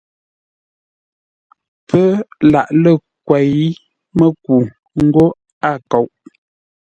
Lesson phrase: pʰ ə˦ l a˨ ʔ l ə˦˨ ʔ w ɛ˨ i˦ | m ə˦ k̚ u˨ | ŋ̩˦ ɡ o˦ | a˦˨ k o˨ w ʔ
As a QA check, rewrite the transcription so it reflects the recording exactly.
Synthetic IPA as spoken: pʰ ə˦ l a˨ ʔ l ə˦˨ k w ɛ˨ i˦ | m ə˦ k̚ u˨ | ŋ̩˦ ɡ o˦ | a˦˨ k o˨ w ʔ